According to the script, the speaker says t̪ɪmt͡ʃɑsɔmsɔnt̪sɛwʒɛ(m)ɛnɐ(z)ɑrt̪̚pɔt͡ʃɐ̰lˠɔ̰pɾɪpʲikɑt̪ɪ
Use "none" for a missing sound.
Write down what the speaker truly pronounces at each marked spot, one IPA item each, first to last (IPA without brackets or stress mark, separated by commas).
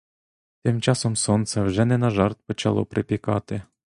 n, ʒ